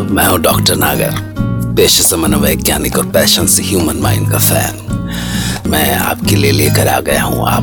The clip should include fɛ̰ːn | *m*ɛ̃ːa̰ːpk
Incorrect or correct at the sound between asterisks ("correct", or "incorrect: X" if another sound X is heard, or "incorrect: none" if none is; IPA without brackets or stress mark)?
correct